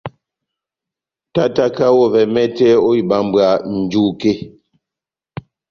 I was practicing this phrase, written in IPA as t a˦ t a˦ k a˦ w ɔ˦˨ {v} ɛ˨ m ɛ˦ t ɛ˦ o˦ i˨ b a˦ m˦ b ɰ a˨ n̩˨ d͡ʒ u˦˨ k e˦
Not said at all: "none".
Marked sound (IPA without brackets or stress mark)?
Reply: v